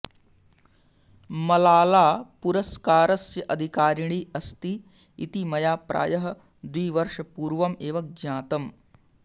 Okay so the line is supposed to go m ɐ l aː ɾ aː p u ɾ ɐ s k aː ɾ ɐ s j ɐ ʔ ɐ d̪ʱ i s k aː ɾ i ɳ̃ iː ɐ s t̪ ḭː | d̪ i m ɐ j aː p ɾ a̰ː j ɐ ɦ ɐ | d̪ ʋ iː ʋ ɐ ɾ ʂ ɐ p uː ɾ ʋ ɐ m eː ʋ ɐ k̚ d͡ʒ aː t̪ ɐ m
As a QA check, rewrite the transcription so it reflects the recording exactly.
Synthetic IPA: m ɐ l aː l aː p u ɾ ɐ s k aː ɾ ɐ s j ɐ ʔ ɐ d̪ʱ i k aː ɾ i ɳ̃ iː ɐ s t̪ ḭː | t̪ i m ɐ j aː p ɾ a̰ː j ɐ ɦ ɐ | d̪ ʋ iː ʋ ɐ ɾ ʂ ɐ p uː ɾ ʋ ɐ m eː ʋ ɐ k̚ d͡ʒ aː t̪ ɐ m

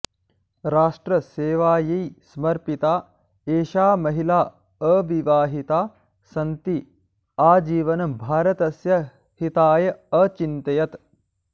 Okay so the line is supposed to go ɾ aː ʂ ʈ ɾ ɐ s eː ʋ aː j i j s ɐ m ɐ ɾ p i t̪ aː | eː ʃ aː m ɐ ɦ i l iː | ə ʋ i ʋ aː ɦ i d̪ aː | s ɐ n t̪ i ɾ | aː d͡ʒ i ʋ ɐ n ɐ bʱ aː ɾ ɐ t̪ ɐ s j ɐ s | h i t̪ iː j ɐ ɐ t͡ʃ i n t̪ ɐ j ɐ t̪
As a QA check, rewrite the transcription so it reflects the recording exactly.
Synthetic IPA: ɾ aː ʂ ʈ ɾ ɐ s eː ʋ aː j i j s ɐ m ɐ ɾ p i t̪ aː | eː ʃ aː m ɐ ɦ i l aː | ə ʋ i ʋ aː ɦ i t̪ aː | s ɐ n t̪ i | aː d͡ʒ iː ʋ ɐ n ɐ bʱ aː ɾ ɐ t̪ ɐ s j ɐ | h i t̪ aː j ɐ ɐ t͡ʃ i n t̪ ɐ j ɐ t̪

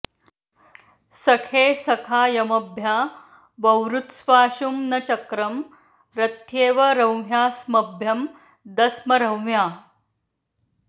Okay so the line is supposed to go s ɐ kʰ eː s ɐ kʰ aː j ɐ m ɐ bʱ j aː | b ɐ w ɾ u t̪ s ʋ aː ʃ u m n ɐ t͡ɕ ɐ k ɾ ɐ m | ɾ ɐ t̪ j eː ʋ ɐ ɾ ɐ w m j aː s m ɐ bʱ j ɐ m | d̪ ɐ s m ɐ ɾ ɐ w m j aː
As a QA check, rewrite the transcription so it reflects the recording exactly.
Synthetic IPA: s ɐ kʰ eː s ɐ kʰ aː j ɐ m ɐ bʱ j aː | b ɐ w ɾ u t̪ s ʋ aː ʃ u m n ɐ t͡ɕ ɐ k ɾ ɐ m | ɾ ɐ t̪ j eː ʋ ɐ ɾ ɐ w m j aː s m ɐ bʱ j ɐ m | d̪ ɐ s m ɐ ɾ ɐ w m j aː

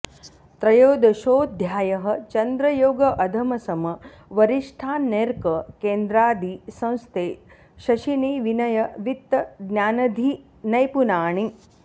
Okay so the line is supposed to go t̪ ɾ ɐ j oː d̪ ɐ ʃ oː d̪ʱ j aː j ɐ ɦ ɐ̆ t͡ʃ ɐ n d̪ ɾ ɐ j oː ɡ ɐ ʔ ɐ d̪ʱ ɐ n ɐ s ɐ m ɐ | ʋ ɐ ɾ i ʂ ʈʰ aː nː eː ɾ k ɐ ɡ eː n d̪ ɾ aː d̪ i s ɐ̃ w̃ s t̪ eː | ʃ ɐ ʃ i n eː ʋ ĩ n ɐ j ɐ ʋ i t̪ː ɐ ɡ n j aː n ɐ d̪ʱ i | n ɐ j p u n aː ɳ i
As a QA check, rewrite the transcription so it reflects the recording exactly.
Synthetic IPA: t̪ ɾ ɐ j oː d̪ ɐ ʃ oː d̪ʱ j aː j ɐ ɦ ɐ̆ t͡ʃ ɐ n d̪ ɾ ɐ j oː ɡ ɐ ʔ ɐ d̪ʱ ɐ m ɐ s ɐ m ɐ | ʋ ɐ ɾ i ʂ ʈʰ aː nː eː ɾ k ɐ k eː n d̪ ɾ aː d̪ i s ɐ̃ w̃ s t̪ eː | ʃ ɐ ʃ i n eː ʋ i n ɐ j ɐ ʋ i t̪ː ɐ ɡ n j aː n ɐ d̪ʱ i | n ɐ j p u n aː ɳ i

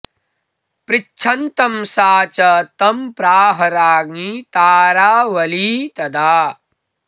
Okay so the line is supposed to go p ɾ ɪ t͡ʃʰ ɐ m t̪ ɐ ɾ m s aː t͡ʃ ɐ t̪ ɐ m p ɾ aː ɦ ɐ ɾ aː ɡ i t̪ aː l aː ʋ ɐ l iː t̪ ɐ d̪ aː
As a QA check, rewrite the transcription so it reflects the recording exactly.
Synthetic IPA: p ɾ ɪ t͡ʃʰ ɐ n t̪ ɐ m s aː t͡ʃ ɐ t̪ ɐ m p ɾ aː ɦ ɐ ɾ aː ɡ i t̪ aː ɾ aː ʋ ɐ l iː t̪ ɐ d̪ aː

